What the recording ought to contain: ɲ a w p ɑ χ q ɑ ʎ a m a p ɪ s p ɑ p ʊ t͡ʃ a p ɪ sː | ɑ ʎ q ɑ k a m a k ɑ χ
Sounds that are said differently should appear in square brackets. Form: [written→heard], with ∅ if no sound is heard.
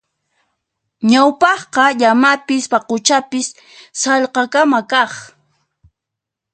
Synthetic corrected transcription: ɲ a w p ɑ χ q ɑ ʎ a m a p ɪ s p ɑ [p→q] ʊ t͡ʃ a p ɪ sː | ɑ ʎ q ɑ k a m a k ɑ χ

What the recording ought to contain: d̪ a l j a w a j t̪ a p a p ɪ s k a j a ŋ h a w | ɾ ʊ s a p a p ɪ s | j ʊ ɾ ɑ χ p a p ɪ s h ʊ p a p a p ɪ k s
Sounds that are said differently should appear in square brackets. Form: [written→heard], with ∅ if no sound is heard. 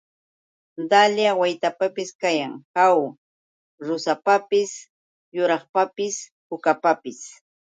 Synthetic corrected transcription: d̪ a l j a w a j t̪ a p a p ɪ s k a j a ŋ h a w | ɾ ʊ s a p a p ɪ s | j ʊ ɾ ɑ χ p a p ɪ s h ʊ [p→k] a p a p ɪ [k→∅] s

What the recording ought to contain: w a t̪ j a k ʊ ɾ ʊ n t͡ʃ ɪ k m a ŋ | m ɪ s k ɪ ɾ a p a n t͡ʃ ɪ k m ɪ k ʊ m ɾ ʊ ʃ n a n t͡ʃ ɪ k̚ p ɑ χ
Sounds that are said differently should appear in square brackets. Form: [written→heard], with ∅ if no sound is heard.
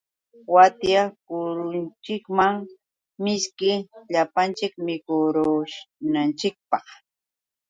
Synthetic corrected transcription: w a t̪ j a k ʊ ɾ ʊ n t͡ʃ ɪ k m a ŋ | m ɪ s k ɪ [ɾ→ʎ] a p a n t͡ʃ ɪ k m ɪ k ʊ [m→∅] ɾ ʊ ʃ n a n t͡ʃ ɪ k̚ p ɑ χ

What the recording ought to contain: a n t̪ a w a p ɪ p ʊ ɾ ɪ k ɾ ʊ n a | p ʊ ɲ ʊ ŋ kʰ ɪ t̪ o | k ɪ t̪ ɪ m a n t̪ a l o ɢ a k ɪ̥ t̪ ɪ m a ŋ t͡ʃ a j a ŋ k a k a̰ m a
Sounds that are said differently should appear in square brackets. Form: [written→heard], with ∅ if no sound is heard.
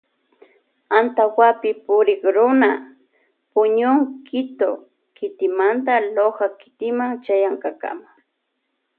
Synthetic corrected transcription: a n t̪ a w a p ɪ p ʊ ɾ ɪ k ɾ ʊ n a | p ʊ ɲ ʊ ŋ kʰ ɪ t̪ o | k ɪ t̪ ɪ m a n t̪ a l o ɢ a k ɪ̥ t̪ ɪ m a ŋ t͡ʃ a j a ŋ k a k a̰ m a

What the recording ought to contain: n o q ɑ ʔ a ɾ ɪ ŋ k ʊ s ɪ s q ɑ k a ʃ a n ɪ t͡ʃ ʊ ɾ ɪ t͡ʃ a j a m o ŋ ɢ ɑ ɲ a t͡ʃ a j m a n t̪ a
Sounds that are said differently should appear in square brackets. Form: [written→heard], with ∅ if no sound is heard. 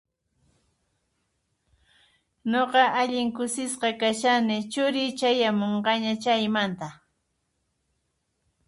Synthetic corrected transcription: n o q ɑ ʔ a [ɾ→ʎ] ɪ ŋ k ʊ s ɪ s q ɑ k a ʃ a n ɪ t͡ʃ ʊ ɾ ɪ t͡ʃ a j a m o [ŋ→ɴ] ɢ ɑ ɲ a t͡ʃ a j m a n t̪ a

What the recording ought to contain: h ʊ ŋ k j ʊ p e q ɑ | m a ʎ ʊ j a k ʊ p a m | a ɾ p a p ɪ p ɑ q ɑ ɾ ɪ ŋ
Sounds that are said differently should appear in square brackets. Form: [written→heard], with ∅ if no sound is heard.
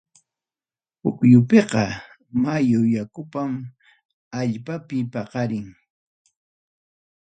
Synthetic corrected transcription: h ʊ [ŋ→∅] k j ʊ p e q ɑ | m a [ʎ→j] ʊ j a k ʊ p a m | a [ɾ→ʎ] p a p ɪ p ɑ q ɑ ɾ ɪ ŋ

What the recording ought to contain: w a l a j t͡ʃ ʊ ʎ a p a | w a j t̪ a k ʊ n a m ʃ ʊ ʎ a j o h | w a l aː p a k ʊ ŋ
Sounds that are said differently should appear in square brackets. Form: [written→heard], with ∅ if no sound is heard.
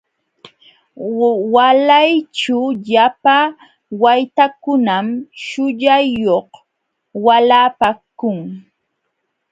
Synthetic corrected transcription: w a l a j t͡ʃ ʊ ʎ a p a | w a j t̪ a k ʊ n a m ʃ ʊ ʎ a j o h | w a l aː p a k ʊ ŋ

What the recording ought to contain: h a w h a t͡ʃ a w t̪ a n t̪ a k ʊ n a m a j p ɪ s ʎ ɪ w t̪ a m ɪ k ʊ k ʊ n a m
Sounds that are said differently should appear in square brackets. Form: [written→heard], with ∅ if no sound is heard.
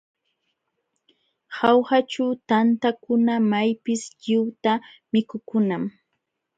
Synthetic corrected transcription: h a w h a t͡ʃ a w t̪ a n t̪ a k ʊ n a m a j p ɪ s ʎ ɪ w t̪ a m ɪ k ʊ k ʊ n a m

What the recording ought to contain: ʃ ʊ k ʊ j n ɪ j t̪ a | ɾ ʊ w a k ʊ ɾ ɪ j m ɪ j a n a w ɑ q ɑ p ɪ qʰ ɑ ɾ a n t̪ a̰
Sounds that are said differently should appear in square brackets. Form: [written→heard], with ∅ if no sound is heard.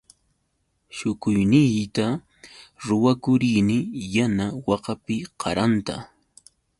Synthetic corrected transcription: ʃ ʊ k ʊ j n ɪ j t̪ a | ɾ ʊ w a k ʊ ɾ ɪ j [m→n] ɪ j a n a w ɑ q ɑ p ɪ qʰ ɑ ɾ a n t̪ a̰

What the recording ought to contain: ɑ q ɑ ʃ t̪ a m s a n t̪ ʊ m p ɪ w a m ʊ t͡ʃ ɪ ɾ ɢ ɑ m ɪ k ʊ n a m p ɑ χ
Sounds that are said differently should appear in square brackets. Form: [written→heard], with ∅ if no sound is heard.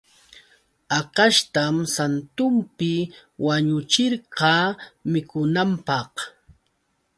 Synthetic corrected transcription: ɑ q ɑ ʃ t̪ a m s a n t̪ ʊ m p ɪ w a [m→ɲ] ʊ t͡ʃ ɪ ɾ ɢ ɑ m ɪ k ʊ n a m p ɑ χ

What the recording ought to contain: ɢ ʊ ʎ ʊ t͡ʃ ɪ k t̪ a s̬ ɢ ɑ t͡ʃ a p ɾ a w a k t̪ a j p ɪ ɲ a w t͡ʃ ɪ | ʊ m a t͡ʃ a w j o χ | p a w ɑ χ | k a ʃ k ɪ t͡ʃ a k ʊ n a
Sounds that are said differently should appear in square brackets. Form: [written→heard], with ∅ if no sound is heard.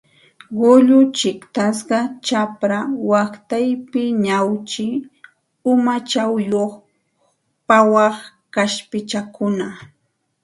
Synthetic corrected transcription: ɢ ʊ ʎ ʊ t͡ʃ ɪ k t̪ a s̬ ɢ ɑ t͡ʃ a p ɾ a w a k t̪ a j p ɪ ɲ a w t͡ʃ ɪ | ʊ m a t͡ʃ a w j o χ | p a w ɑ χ | k a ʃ [k→p] ɪ t͡ʃ a k ʊ n a

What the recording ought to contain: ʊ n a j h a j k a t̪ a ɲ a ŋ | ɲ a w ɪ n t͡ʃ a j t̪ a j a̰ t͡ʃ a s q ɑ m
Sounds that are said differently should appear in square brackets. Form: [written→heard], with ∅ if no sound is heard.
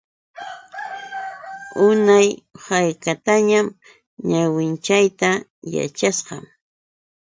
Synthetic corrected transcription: ʊ n a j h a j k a t̪ a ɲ a [ŋ→m] | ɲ a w ɪ n t͡ʃ a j t̪ a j a̰ t͡ʃ a s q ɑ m

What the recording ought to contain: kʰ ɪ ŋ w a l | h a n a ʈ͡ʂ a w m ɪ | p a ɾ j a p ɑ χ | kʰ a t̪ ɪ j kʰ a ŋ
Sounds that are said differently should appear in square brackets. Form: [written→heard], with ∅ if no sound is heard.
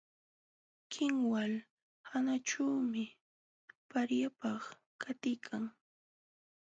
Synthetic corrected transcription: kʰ ɪ ŋ w a l | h a n a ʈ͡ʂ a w m ɪ | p a ɾ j a p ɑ χ | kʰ a t̪ ɪ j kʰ a ŋ

